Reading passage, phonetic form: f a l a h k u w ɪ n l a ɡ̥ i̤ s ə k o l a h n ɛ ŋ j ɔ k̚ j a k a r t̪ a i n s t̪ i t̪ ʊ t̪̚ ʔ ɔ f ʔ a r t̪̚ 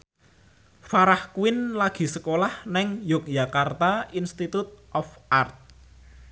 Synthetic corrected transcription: f a ɾ a h k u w ɪ n l a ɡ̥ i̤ s ə k o l a h n ɛ ŋ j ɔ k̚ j a k a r t̪ a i n s t̪ i t̪ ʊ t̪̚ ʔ ɔ f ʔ a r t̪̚

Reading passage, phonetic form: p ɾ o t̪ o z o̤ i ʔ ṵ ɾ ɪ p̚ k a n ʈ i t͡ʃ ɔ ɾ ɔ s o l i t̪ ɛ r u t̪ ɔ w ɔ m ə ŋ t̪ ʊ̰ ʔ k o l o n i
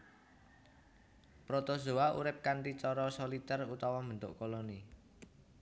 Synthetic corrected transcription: p ɾ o t̪ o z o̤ a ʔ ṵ ɾ ɪ p̚ k a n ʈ i t͡ʃ ɔ ɾ ɔ s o l i t̪ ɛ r u t̪ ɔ w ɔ m ə n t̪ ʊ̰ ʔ k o l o n i

